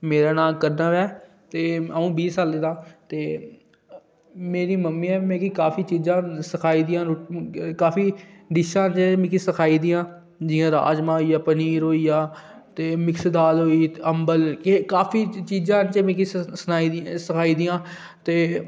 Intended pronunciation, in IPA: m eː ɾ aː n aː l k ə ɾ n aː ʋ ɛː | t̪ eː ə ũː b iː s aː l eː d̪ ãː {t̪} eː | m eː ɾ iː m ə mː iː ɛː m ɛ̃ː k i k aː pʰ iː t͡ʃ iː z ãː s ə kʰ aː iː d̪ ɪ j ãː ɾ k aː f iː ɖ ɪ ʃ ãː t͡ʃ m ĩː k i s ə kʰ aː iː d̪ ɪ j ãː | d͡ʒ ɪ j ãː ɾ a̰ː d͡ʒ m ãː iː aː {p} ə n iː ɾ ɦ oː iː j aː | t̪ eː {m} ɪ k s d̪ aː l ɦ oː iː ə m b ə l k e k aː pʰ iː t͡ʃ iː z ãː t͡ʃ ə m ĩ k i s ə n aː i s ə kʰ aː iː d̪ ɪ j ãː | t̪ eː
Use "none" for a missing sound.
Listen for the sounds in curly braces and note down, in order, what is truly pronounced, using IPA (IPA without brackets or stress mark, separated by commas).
t̪, p, m